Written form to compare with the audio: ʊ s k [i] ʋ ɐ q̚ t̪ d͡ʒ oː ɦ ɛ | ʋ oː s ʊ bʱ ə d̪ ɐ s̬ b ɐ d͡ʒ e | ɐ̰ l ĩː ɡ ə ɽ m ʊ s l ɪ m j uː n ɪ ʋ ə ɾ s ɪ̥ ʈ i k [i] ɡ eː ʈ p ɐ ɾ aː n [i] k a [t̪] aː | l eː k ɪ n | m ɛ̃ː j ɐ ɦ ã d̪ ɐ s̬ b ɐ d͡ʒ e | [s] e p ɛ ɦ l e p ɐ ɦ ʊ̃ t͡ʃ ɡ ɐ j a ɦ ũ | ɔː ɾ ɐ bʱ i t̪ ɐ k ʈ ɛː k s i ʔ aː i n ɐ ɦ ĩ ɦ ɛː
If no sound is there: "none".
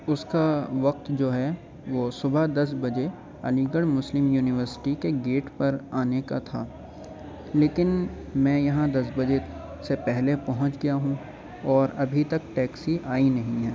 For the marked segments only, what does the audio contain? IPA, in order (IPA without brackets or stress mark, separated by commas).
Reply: a, e, e, t̪ʰ, s